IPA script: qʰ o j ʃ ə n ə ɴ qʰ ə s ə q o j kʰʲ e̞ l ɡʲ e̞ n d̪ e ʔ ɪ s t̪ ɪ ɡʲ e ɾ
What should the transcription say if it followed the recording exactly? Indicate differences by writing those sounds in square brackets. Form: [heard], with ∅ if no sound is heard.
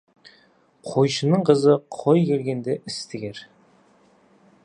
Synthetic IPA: qʰ o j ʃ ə n ə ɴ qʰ ə [z] ə [qʰ] o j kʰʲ e̞ l ɡʲ e̞ n d̪ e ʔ ɪ s t̪ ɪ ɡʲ e ɾ